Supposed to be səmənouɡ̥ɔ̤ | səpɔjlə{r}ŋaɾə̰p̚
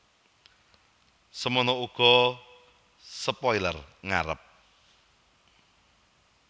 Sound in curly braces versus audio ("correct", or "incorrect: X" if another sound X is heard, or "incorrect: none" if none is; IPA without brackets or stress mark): correct